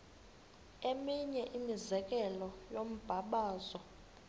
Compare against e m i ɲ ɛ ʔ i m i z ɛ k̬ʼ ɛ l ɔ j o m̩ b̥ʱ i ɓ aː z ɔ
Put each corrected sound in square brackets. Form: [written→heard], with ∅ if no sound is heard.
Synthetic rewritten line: e m i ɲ ɛ ʔ i m i z ɛ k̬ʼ ɛ l ɔ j o m̩ b̥ʱ [i→a] ɓ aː z ɔ